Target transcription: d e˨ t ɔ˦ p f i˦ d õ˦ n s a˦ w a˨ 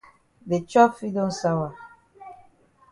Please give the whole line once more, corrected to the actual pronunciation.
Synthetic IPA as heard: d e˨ t͡ʃ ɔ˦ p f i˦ d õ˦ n s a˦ w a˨